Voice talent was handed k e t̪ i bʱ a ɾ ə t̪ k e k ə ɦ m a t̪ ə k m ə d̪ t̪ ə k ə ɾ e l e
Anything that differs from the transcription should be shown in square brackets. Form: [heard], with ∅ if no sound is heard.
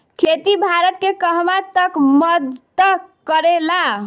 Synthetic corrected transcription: [kʰ] e t̪ i bʱ a ɾ ə t̪ k e k ə ɦ m a t̪ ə k m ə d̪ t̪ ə k ə ɾ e l [a]